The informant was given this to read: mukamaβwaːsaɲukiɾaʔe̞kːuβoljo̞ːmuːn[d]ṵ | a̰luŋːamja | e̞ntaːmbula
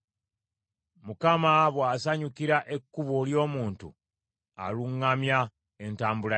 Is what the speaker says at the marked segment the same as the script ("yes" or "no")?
no